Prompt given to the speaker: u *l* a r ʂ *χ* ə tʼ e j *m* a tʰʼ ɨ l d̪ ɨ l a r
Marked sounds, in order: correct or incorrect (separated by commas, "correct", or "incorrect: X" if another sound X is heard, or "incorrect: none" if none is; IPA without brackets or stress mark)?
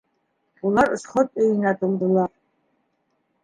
correct, correct, incorrect: n